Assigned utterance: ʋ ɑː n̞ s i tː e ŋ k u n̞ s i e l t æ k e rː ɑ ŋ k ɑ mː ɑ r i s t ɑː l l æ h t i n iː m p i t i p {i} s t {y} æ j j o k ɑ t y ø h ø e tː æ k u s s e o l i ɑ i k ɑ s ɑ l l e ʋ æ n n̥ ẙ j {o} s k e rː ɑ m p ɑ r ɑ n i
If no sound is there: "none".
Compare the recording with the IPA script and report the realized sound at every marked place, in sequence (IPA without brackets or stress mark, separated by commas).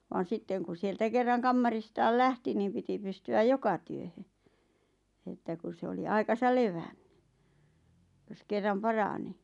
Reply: y, y, o